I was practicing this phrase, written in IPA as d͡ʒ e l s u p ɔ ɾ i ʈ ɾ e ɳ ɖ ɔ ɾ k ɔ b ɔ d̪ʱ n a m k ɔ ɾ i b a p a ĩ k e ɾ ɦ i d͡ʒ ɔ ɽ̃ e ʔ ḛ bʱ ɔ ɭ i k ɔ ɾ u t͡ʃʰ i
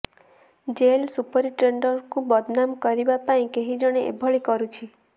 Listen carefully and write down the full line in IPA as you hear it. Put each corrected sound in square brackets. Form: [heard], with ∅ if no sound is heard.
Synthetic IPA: d͡ʒ e l s u p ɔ ɾ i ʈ ɾ e ɳ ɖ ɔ ɾ k [u] b ɔ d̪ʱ n a m k ɔ ɾ i b a p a ĩ k e [∅] ɦ i d͡ʒ ɔ ɽ̃ e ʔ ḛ bʱ ɔ ɭ i k ɔ ɾ u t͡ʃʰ i